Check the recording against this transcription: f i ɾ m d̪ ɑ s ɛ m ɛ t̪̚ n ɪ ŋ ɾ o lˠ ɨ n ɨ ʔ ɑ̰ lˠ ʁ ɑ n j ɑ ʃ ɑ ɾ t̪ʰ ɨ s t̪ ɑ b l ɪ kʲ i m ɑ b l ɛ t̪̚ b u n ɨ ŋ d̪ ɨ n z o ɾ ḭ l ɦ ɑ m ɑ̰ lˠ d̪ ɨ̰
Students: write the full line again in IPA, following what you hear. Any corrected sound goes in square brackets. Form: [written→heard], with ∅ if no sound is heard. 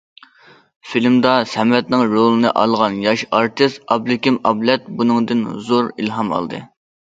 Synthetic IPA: f i [ɾ→l] m d̪ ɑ s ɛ m ɛ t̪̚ n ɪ ŋ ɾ o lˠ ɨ n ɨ ʔ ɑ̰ lˠ ʁ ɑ n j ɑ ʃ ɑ ɾ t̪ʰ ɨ s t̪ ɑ b l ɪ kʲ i m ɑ b l ɛ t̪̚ b u n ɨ ŋ d̪ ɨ n z o ɾ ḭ l ɦ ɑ m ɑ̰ lˠ d̪ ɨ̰